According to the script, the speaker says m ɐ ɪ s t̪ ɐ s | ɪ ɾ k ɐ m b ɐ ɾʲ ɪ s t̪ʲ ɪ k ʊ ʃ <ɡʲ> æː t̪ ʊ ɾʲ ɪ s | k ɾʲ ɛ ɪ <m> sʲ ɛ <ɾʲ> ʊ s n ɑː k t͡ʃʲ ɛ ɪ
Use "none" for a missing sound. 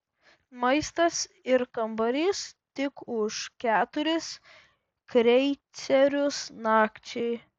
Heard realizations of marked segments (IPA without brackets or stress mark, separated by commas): kʲ, none, ɾʲ